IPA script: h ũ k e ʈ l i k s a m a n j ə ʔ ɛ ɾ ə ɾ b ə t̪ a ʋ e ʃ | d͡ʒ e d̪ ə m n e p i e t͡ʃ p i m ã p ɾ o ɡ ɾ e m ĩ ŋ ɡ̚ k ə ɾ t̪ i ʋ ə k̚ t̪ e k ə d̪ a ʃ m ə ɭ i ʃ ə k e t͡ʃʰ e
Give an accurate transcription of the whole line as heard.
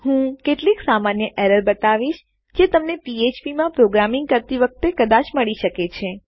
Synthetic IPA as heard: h ũ k e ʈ l i k s a m a n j ə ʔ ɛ ɾ ə ɾ b ə t̪ a ʋ i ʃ | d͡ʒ e t̪ ə m n e p i e t͡ʃ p i m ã p ɾ o ɡ ɾ a m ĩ ŋ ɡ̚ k ə ɾ t̪ i ʋ ə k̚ t̪ e k ə d̪ a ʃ m ə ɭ i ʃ ə k e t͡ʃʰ e